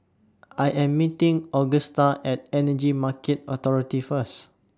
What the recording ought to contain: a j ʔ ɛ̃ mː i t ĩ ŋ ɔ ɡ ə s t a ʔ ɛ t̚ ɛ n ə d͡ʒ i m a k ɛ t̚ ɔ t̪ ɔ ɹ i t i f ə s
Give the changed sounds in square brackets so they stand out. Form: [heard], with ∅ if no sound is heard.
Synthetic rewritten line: a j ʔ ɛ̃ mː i t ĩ ŋ ɔ ɡ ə s t a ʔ ɛ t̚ ɛ n ə d͡ʒ i m a k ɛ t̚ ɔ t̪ ɔ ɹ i t i f ə s